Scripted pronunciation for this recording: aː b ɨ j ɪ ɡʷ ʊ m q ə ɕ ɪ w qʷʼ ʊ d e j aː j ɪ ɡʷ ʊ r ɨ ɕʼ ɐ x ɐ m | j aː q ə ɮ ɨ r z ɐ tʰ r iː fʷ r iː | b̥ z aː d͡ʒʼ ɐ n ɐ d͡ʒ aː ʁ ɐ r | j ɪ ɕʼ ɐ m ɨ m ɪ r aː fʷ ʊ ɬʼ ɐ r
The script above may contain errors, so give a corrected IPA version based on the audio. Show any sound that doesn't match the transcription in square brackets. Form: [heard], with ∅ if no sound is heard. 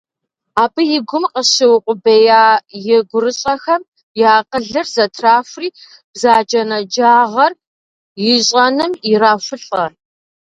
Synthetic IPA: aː b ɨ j ɪ ɡʷ ʊ m q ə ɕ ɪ w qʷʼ ʊ [b] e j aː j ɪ ɡʷ ʊ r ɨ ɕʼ ɐ x ɐ m | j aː q ə ɮ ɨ r z ɐ tʰ r [aː] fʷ r iː | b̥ z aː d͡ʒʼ ɐ n ɐ d͡ʒ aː ʁ ɐ r | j ɪ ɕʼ ɐ [n] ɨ m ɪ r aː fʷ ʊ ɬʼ ɐ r